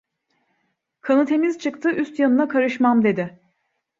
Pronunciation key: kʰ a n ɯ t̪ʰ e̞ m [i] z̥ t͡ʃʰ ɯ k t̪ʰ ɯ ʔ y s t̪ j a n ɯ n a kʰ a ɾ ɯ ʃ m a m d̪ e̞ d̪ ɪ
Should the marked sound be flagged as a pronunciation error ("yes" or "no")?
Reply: no